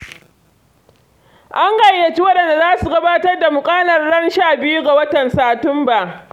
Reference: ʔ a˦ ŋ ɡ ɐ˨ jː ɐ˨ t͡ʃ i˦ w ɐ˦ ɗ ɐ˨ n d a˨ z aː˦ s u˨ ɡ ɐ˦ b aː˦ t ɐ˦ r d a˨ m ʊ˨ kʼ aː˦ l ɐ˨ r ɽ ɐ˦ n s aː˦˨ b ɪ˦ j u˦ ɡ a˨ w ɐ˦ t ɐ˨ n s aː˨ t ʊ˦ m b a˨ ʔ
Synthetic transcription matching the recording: ʔ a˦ ŋ ɡ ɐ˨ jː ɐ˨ t͡ʃ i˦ w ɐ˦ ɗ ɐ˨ n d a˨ z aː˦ s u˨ ɡ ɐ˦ b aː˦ t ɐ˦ r d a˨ m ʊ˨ kʼ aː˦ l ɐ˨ r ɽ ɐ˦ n ʃ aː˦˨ b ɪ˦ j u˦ ɡ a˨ w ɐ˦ t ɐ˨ n s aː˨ t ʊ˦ m b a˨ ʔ